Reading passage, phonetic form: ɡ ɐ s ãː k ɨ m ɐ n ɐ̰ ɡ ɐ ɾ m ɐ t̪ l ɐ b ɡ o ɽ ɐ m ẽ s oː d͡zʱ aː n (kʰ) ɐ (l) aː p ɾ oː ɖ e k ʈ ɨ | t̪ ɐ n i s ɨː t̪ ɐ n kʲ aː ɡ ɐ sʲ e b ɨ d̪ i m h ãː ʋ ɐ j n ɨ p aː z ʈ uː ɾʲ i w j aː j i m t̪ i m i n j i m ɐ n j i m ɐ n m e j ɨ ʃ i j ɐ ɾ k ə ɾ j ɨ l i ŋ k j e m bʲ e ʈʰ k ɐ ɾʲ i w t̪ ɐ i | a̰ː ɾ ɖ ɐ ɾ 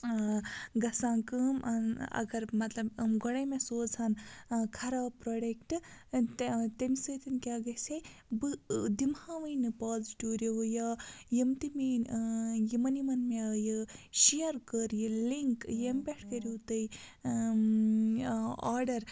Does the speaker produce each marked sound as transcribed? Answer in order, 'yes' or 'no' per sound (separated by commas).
yes, no